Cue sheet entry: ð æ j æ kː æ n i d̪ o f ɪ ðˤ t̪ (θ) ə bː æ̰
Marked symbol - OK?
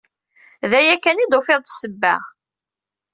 no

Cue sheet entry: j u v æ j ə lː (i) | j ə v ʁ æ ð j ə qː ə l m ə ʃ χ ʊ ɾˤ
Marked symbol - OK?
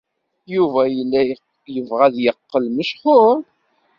no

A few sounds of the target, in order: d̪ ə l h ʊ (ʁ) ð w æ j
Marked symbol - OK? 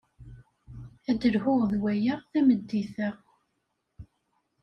yes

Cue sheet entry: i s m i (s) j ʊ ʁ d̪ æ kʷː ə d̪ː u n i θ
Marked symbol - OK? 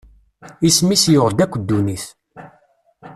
yes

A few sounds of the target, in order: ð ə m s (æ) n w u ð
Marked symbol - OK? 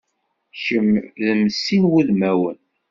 no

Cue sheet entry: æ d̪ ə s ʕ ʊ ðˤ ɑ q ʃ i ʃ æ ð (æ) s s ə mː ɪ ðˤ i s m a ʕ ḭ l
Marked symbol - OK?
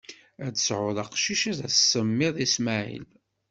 yes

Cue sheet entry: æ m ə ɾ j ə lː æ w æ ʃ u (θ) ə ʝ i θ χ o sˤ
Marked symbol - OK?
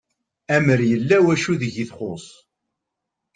no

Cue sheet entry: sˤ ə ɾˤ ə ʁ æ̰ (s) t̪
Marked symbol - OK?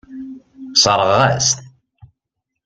yes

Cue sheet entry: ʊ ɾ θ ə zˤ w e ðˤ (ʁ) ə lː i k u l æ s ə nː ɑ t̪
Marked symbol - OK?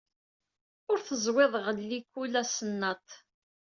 yes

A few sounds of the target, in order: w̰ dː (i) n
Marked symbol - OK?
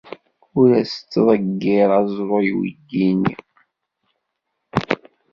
yes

